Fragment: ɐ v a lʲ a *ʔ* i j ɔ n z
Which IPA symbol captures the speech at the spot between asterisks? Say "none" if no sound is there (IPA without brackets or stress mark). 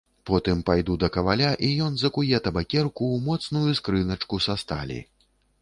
ʔ